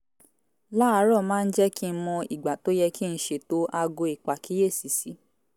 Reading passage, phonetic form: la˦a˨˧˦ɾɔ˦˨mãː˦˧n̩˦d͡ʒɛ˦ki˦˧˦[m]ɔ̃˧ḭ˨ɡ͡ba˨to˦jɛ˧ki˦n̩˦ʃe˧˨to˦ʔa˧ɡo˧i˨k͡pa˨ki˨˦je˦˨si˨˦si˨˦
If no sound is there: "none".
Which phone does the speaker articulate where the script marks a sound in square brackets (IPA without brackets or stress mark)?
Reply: m